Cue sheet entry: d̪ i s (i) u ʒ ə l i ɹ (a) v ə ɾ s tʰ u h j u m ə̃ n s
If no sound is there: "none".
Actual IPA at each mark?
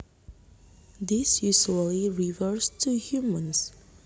j, i

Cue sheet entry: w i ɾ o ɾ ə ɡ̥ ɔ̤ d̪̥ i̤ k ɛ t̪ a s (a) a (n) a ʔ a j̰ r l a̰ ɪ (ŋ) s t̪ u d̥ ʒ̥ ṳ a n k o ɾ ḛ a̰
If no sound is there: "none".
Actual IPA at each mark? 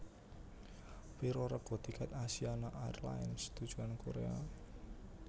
i, n, n

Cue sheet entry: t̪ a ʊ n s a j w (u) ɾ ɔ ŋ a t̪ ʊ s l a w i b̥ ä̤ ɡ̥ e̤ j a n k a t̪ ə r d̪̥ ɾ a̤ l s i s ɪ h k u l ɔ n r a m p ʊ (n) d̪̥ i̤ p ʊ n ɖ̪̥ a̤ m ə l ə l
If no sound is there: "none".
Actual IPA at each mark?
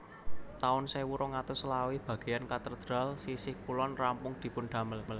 u, ŋ

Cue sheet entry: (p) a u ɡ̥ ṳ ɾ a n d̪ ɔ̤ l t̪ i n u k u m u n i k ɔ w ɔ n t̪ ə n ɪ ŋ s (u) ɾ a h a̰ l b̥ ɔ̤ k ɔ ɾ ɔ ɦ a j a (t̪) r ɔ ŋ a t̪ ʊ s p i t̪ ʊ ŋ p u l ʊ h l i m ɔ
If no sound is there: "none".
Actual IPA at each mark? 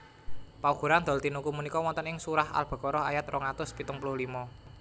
p, u, t̪

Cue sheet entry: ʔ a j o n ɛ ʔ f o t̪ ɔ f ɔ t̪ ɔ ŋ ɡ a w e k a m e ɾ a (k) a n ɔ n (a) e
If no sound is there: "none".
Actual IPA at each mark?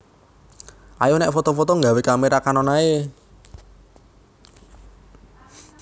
k, a

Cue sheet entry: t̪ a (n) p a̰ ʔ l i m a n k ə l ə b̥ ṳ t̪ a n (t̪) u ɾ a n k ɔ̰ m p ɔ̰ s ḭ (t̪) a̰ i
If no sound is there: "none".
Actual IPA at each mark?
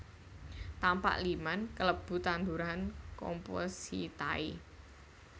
m, d̪, t̪

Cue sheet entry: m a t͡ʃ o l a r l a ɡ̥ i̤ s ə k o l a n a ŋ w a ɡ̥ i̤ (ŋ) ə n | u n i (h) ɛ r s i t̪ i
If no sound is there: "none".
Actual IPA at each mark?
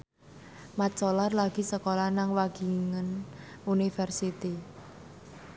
ŋ, f

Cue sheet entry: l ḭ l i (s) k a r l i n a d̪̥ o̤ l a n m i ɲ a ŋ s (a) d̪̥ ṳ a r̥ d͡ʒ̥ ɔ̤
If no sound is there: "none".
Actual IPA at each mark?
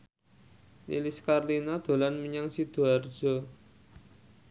s, i

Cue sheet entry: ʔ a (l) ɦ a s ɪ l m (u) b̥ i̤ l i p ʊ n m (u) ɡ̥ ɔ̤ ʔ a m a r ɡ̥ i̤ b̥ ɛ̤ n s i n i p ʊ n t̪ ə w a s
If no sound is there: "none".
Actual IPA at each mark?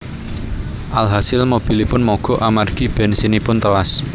l, o, ɔ

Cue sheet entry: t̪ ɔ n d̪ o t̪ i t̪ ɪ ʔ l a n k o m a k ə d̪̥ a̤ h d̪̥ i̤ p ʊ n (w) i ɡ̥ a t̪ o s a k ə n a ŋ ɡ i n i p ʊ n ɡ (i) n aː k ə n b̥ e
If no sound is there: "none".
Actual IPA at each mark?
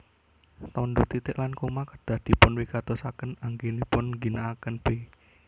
w, i

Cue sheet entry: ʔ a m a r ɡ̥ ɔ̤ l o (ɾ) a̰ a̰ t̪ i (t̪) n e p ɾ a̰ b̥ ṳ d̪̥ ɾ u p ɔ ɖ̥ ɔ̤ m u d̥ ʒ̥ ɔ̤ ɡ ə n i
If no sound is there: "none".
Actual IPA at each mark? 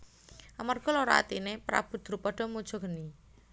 ɾ, none

